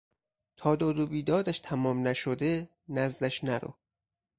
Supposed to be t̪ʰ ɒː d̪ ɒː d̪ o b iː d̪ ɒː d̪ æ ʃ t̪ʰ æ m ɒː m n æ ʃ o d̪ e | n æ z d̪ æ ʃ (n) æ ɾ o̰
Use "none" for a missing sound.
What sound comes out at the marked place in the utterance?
n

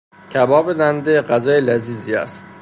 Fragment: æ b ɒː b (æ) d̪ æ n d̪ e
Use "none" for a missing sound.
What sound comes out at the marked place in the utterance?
e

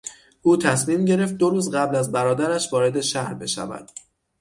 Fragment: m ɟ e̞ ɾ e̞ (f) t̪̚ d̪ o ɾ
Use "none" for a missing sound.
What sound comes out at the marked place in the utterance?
f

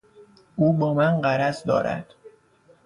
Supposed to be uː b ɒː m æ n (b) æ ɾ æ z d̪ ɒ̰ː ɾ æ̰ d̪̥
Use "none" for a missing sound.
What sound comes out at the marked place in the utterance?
ɢ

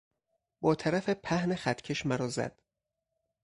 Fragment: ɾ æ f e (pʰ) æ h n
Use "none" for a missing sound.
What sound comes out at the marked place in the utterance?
pʰ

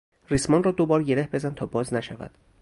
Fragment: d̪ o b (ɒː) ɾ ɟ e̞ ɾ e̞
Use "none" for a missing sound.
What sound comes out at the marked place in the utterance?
ɒː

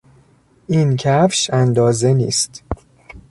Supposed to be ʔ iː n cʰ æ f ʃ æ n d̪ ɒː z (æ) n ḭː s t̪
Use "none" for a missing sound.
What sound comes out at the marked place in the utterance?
e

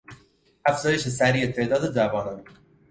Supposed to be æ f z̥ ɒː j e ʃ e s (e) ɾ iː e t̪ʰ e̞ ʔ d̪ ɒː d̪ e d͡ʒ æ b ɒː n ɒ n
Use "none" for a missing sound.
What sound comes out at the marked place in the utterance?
æ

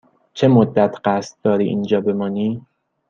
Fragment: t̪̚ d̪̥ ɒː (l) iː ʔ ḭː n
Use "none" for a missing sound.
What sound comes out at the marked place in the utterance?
ɾ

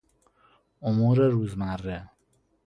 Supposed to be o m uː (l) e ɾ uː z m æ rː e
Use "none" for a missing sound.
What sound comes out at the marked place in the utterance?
ɾ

